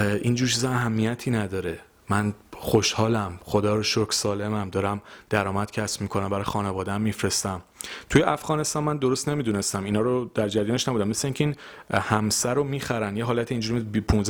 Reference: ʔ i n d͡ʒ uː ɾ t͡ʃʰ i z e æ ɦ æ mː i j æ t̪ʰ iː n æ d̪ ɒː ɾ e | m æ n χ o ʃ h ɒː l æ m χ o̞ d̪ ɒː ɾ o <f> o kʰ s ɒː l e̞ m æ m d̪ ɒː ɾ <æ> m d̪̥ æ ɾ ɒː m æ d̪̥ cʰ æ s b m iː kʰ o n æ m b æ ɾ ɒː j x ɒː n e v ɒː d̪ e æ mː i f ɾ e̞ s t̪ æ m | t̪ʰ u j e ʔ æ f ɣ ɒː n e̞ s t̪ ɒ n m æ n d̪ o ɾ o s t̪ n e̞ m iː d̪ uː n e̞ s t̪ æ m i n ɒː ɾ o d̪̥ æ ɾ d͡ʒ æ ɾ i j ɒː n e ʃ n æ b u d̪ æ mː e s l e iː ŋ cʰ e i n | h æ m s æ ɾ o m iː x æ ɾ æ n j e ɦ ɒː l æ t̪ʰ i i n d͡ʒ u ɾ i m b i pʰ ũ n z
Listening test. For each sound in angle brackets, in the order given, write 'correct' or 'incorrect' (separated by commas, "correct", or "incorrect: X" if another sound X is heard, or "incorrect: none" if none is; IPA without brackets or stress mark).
incorrect: ʃ, correct